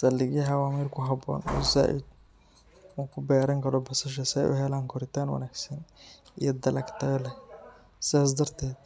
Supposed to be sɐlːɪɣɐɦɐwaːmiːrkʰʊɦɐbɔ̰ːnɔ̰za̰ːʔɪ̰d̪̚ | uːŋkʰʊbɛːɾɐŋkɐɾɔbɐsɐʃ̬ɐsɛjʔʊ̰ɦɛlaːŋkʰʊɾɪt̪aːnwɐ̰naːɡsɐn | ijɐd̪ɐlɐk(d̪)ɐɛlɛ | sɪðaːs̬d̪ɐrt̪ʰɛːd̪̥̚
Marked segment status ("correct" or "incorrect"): incorrect